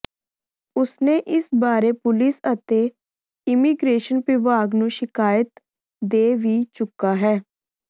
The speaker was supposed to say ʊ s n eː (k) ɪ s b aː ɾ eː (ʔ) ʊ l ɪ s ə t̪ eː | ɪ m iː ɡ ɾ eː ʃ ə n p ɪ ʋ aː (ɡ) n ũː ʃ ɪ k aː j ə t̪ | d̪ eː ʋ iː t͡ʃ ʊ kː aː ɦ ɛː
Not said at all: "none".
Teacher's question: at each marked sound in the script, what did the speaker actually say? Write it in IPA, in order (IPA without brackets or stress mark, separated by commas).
ʔ, p, ɡ